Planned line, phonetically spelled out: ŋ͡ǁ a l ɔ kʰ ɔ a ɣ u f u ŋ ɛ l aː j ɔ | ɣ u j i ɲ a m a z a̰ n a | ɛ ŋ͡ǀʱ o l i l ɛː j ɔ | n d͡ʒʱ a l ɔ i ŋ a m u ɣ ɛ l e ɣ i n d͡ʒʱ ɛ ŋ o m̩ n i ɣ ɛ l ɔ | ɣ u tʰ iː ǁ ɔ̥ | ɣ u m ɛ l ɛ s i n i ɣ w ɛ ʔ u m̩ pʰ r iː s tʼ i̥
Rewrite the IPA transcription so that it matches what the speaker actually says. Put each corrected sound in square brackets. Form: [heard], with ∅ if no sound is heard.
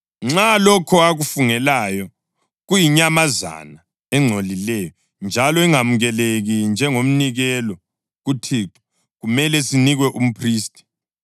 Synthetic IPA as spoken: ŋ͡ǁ a l ɔ kʰ ɔ a ɣ u f u ŋ ɛ l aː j ɔ | ɣ u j i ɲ a m a z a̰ n a | ɛ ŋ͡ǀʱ o l i l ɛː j ɔ | n d͡ʒʱ a l ɔ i ŋ a m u ɣ ɛ l e ɣ i n d͡ʒʱ ɛ ŋ o m̩ n i ɣ ɛ l ɔ | ɣ u tʰ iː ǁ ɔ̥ | ɣ u m ɛ l ɛ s i n i ɣ w ɛ ʔ u m̩ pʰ r iː s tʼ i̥